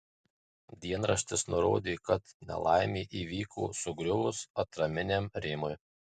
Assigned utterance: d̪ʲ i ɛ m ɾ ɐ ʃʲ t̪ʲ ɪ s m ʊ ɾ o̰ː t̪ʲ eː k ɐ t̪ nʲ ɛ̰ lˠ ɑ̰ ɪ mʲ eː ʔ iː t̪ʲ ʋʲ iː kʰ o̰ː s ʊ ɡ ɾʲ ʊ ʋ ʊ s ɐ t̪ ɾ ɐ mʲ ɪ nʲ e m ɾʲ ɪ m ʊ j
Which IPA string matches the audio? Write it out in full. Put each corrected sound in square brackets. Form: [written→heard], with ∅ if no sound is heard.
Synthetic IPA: d̪ʲ i ɛ [m→n] ɾ ɐ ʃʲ t̪ʲ ɪ s [m→n] ʊ ɾ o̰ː [t̪ʲ→d̪ʲ] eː k ɐ t̪ nʲ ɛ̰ lˠ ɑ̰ ɪ mʲ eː ʔ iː [t̪ʲ→∅] ʋʲ iː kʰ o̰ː s ʊ ɡ ɾʲ ʊ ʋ ʊ s ɐ t̪ ɾ ɐ mʲ ɪ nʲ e m ɾʲ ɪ m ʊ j